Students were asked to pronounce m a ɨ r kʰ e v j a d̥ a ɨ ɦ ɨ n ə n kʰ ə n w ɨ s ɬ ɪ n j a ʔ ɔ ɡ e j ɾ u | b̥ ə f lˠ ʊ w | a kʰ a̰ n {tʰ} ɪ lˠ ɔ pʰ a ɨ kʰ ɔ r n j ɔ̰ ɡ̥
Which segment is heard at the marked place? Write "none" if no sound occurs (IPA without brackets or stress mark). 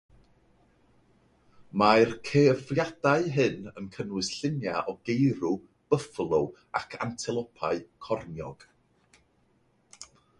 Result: tʰ